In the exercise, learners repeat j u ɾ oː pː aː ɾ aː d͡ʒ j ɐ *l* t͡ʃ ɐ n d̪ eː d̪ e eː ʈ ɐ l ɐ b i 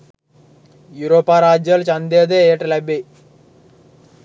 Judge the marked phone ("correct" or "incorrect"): correct